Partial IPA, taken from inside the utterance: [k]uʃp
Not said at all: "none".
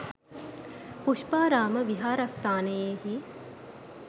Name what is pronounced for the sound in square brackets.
p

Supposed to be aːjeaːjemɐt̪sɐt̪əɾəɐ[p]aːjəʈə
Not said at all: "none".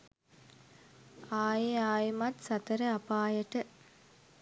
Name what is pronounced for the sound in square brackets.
p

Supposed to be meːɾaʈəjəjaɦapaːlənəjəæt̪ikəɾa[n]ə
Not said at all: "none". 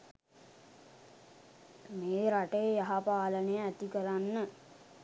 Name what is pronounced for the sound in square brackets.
nː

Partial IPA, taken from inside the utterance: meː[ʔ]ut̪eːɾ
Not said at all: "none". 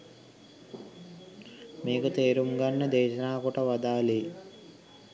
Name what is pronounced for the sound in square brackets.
k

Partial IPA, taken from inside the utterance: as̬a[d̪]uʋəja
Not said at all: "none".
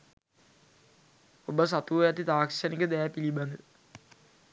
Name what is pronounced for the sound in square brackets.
t̪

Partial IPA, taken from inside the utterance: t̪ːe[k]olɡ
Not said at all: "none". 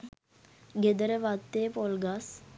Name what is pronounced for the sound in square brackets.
p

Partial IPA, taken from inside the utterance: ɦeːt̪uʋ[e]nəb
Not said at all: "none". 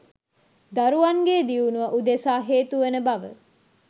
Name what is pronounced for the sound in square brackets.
e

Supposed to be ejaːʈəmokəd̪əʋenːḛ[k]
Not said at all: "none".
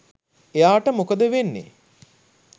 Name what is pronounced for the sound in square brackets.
none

